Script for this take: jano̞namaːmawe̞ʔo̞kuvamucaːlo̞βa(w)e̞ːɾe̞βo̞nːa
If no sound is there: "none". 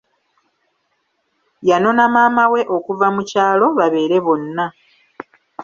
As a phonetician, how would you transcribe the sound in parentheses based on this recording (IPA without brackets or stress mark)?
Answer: β